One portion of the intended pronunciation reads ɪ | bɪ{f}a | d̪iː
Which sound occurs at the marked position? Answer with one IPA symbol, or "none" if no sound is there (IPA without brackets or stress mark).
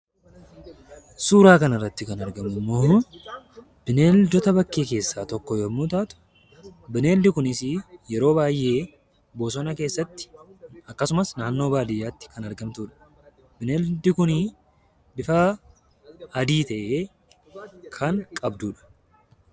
f